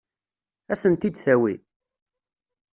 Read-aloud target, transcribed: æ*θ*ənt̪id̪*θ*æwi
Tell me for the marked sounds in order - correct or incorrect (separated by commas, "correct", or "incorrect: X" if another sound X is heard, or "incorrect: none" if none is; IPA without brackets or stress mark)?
incorrect: s, correct